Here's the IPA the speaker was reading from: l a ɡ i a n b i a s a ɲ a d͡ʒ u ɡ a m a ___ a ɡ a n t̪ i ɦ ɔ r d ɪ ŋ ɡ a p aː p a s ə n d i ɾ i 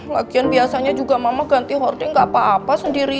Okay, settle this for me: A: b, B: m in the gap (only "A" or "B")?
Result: B